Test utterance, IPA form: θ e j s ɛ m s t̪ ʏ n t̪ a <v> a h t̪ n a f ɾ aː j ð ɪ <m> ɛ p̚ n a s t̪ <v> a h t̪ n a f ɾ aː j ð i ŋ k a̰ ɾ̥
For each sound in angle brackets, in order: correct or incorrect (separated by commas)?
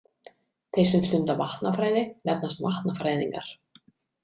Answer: correct, incorrect, correct